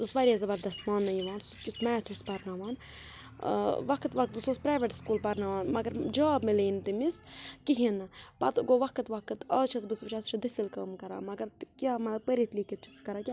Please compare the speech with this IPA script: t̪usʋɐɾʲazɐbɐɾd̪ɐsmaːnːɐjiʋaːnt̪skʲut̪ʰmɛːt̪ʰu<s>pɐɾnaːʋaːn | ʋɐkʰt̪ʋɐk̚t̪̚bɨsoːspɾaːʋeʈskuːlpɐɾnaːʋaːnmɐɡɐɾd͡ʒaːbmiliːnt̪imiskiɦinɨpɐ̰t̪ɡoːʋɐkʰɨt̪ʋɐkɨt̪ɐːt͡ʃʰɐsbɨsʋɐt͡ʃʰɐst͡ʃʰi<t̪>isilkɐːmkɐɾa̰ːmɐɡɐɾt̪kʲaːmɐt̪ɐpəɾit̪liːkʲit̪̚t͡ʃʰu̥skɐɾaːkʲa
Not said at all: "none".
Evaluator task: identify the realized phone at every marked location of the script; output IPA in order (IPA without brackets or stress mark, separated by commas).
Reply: s, d̪